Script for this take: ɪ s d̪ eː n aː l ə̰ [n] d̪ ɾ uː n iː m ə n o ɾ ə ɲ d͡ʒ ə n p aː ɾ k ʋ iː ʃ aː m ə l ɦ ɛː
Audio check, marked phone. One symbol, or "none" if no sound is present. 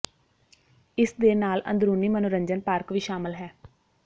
n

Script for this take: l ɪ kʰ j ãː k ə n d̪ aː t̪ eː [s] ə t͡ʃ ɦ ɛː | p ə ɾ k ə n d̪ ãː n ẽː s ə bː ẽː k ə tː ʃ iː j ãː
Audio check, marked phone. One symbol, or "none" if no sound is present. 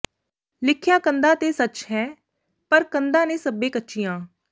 s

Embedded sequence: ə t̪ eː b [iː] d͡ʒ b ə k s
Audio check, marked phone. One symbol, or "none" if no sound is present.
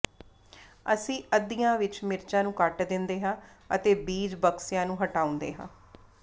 iː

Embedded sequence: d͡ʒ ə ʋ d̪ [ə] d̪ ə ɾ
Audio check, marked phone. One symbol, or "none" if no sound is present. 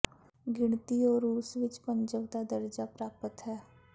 a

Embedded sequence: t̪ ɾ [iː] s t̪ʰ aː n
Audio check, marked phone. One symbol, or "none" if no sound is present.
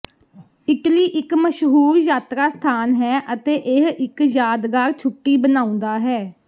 aː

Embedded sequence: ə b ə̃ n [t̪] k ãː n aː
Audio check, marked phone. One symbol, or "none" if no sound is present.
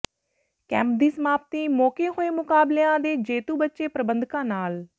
d̪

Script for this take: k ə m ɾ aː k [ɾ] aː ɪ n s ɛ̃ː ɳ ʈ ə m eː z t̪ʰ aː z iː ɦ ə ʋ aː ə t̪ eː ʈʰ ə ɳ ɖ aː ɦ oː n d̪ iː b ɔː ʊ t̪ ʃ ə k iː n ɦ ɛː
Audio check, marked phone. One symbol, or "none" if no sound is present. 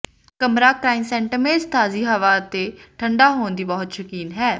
ɾ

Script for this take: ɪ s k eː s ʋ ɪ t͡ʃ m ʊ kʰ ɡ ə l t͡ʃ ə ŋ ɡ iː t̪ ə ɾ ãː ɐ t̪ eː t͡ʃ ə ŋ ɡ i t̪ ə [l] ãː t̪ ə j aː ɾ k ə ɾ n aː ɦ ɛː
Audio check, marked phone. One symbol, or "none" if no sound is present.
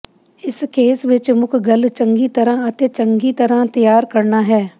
ɾ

